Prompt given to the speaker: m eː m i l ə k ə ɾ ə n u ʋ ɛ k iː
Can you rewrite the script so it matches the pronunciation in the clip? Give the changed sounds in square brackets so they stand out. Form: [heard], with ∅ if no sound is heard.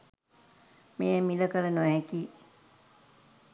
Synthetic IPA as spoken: m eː m i l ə k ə [l] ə n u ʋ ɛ k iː